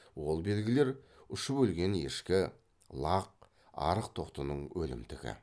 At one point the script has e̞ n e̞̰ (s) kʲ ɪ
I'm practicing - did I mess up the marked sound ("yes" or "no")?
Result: yes